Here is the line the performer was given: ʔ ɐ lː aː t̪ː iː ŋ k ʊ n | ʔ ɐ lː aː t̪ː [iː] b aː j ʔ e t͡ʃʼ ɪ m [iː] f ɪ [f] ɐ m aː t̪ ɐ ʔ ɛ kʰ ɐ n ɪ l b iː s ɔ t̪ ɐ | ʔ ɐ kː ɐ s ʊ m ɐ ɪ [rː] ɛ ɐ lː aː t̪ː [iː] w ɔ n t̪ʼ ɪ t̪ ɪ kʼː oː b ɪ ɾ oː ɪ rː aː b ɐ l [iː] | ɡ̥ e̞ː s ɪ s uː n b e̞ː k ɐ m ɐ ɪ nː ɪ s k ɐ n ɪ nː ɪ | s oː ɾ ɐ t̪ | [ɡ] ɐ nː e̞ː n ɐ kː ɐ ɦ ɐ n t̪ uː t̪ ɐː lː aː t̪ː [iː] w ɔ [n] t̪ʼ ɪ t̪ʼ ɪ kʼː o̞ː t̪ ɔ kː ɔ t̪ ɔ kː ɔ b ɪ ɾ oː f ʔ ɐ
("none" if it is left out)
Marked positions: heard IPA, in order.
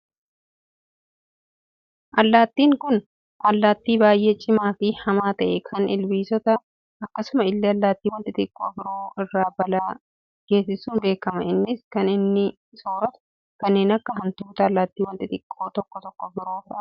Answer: iː, aː, h, lː, iː, aː, k, iː, n

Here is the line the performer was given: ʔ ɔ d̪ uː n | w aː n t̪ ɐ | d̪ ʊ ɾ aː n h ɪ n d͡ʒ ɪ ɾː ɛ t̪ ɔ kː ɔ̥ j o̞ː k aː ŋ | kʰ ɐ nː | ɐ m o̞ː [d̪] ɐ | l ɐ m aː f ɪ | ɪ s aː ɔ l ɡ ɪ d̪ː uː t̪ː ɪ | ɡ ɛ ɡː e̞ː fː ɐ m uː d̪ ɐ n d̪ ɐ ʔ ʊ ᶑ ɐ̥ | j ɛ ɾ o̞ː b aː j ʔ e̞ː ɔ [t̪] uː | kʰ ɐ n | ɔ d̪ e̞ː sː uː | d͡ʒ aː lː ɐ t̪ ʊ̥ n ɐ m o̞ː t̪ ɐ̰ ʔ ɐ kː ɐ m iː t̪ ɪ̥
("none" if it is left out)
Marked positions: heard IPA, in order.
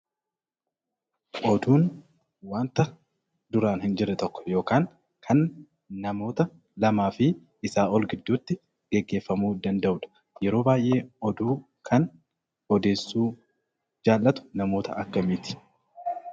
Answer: t̪, d̪

